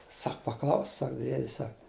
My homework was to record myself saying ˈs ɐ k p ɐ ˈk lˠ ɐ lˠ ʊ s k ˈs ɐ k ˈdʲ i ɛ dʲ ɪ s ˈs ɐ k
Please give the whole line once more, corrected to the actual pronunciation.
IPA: ˈs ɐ k p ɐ ˈk lˠ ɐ ʊ s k ˈs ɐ k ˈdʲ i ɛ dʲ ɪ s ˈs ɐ k